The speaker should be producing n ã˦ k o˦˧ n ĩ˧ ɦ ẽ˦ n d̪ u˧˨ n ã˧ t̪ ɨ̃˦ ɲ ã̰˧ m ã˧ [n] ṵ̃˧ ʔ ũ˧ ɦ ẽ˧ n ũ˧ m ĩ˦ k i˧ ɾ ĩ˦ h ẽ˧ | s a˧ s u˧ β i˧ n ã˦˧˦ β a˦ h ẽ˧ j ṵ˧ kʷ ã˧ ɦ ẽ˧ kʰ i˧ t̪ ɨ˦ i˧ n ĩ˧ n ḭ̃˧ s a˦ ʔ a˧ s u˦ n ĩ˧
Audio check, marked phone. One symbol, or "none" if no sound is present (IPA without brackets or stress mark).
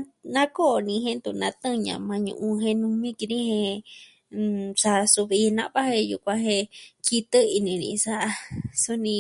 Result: ɲ